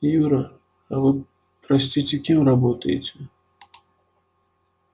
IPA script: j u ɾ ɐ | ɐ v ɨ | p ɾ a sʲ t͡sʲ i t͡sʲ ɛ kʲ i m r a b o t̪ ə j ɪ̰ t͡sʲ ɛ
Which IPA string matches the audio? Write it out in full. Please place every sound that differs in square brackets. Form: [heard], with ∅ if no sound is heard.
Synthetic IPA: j u ɾ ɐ | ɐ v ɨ | p ɾ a sʲ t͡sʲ i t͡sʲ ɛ kʲ i m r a b [ɔ] t̪ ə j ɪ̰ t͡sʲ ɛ